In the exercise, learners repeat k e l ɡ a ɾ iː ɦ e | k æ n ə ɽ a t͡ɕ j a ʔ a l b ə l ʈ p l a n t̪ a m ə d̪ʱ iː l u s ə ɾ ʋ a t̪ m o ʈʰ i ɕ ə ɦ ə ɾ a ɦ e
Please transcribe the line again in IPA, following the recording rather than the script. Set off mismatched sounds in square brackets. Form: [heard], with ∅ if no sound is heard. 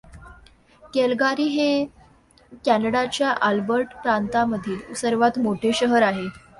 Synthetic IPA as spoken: k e l ɡ a ɾ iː ɦ e | k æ n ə ɽ a t͡ɕ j a ʔ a l b ə [ɾ] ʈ p [ɾ] a n t̪ a m ə d̪ʱ iː l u s ə ɾ ʋ a t̪ m o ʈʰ [e] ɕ ə ɦ ə ɾ a ɦ e